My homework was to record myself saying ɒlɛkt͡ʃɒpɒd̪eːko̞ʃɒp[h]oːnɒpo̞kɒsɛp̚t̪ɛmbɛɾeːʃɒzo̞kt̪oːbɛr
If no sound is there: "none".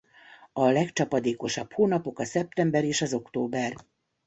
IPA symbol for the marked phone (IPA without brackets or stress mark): h